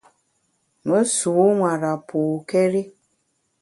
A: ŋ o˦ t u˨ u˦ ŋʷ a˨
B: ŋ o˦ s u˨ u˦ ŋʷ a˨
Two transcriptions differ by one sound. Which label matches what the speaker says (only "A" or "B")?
B